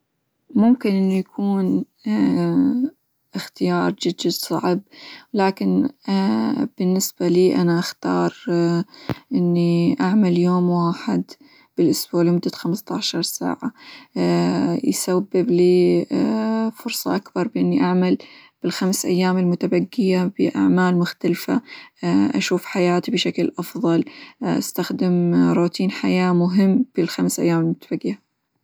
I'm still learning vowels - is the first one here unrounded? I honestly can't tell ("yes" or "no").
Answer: no